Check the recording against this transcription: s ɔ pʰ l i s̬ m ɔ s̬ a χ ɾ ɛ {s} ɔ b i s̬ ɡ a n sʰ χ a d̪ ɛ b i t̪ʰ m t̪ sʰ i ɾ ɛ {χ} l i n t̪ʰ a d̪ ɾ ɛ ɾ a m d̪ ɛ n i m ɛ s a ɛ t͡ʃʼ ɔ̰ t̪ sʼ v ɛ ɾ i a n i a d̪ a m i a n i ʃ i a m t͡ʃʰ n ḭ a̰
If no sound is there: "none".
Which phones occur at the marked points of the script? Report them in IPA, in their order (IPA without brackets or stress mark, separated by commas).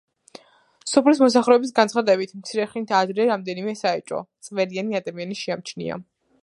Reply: none, χ